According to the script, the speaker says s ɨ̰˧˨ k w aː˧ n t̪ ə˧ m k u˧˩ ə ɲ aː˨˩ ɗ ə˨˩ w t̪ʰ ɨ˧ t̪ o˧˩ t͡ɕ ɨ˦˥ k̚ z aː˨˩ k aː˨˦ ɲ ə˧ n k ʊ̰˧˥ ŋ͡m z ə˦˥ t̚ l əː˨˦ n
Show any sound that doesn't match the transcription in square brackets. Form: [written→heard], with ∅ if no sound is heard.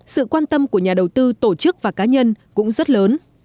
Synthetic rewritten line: s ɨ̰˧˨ k w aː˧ n t̪ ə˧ m k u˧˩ ə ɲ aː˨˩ ɗ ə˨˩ w [t̪ʰ→t̪] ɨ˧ t̪ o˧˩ t͡ɕ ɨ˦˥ k̚ [z→v] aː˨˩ k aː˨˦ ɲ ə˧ n k ʊ̰˧˥ ŋ͡m z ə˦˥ t̚ l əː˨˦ n